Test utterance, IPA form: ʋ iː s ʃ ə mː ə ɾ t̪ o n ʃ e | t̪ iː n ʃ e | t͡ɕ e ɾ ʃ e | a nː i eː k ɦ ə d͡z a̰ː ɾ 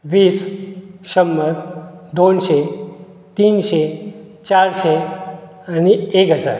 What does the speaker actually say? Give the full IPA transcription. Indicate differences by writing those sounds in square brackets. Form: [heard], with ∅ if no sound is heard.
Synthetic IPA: ʋ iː s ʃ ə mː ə ɾ [d̪] o n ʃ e | t̪ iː n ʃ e | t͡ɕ [a] ɾ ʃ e | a [n] i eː k ɦ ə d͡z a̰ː ɾ